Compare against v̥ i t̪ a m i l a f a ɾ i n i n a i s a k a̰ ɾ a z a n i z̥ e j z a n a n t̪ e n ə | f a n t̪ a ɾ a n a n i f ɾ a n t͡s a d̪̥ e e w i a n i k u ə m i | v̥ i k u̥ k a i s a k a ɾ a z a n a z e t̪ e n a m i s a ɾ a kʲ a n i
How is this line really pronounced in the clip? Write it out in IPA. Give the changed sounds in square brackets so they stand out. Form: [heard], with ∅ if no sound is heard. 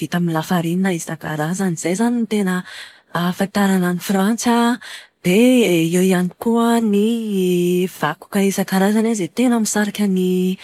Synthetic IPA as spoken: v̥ i t̪ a m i l a f a ɾ i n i n a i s a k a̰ ɾ a z a n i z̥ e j z a n [i] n t̪ e n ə | f a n t̪ a ɾ a n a n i f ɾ a n t͡s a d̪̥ e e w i a n i k u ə [n] i | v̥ [a] k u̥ k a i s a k a ɾ a z a n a z e t̪ e n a m i s a ɾ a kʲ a n i